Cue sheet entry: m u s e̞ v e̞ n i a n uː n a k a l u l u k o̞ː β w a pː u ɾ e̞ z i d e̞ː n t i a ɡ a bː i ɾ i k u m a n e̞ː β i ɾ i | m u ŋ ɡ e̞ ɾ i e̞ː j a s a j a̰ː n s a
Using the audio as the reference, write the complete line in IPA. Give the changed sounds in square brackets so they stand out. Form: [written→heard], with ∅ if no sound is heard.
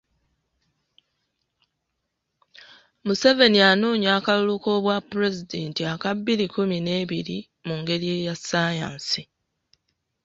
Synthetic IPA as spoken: m u s e̞ v e̞ n i a n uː [n→ɲ] a k a l u l u k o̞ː β w a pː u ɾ e̞ z i d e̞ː n t i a [ɡ→k] a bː i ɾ i k u m [a→i] n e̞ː β i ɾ i | m u ŋ ɡ e̞ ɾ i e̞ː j a s a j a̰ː n s [a→i]